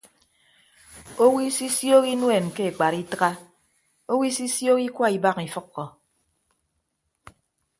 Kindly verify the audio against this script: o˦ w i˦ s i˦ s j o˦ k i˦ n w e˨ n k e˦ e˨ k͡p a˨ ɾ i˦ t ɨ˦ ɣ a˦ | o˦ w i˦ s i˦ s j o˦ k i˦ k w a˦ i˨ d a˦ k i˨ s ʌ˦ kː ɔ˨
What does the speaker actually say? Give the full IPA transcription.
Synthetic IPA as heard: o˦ w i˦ s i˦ s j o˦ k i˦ n w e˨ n k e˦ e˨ k͡p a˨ ɾ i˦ t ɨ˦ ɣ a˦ | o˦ w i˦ s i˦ s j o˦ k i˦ k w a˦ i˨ b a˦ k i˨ f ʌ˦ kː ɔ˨